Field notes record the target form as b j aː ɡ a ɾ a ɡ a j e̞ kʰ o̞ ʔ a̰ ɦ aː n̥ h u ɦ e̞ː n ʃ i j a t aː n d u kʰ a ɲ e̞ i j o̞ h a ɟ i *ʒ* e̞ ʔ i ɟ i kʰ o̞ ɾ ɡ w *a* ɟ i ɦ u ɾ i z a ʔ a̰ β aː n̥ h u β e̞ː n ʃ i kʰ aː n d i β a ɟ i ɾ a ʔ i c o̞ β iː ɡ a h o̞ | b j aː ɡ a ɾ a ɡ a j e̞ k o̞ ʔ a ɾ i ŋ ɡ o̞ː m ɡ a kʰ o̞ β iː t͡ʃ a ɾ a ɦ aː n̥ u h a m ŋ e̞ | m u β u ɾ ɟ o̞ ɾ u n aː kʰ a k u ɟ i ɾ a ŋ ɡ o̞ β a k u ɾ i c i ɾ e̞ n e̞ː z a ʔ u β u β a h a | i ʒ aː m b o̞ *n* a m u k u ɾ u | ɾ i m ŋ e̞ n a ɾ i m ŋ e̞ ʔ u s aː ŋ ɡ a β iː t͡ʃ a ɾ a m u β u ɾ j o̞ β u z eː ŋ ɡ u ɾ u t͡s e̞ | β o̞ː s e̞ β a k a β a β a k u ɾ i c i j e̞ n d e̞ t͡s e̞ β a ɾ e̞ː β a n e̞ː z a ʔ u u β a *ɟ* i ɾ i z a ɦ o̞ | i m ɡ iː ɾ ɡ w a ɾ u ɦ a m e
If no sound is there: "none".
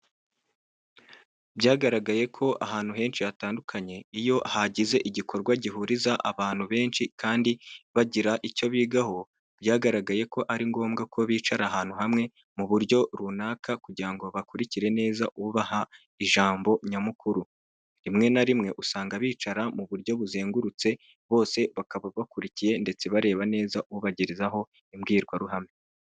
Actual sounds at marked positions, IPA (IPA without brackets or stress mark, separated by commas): z, a, ɲ, ɟ